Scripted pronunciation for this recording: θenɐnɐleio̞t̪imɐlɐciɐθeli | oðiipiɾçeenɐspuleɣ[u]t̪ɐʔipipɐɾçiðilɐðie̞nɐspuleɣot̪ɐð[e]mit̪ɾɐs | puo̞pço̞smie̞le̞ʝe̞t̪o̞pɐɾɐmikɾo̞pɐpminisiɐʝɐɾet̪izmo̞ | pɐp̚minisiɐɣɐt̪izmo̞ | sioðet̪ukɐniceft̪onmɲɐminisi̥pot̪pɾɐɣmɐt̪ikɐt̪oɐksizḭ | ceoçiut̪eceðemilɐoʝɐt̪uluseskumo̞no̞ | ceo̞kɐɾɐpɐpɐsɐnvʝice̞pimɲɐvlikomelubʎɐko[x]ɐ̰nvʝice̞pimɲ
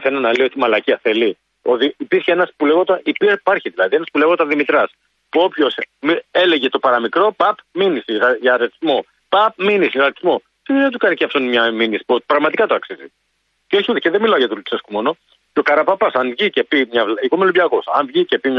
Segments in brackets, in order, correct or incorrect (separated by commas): incorrect, incorrect, incorrect